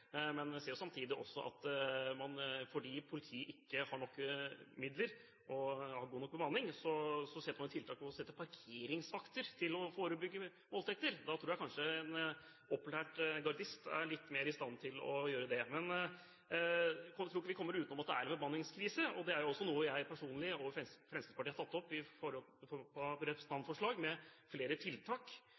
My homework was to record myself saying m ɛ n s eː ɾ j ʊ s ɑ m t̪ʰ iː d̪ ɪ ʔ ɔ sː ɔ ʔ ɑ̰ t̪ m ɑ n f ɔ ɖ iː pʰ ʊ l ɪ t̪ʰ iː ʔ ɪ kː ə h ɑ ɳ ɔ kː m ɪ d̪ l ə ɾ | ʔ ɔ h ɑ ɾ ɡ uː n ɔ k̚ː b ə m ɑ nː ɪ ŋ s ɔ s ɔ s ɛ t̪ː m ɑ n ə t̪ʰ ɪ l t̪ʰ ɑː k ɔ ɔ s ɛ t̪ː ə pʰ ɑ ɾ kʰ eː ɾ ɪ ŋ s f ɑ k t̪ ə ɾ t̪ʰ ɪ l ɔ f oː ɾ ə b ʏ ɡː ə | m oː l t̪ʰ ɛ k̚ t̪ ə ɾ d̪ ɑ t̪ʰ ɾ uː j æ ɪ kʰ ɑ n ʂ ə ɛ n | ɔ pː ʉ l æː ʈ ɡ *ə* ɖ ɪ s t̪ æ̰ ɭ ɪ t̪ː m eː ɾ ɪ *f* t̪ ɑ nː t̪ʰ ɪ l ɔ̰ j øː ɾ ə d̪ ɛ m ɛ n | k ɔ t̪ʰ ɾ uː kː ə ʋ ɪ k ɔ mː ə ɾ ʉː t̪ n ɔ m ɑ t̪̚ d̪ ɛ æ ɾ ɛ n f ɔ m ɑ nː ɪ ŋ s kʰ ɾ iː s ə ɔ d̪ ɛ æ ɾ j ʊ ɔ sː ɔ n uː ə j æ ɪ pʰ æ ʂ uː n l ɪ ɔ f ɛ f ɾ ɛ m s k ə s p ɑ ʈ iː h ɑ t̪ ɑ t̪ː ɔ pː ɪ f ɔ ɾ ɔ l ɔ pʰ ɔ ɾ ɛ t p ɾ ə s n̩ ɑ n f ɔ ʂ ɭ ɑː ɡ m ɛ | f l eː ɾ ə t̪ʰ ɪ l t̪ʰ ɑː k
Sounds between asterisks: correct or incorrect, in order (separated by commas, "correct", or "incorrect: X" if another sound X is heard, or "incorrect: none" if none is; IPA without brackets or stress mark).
incorrect: ɑ, incorrect: s